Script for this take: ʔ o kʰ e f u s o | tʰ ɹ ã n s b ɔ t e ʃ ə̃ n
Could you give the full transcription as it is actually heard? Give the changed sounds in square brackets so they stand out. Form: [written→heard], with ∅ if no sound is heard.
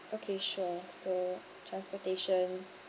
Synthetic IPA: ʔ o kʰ e [f→ʃ] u s o | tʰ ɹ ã n s [b→p] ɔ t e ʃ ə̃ n